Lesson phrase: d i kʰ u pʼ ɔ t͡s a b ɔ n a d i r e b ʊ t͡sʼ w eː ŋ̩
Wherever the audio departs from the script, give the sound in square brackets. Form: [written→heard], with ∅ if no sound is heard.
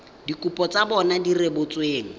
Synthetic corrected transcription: d i [kʰ→k] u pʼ ɔ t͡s a b ɔ n a d i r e b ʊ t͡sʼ w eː ŋ̩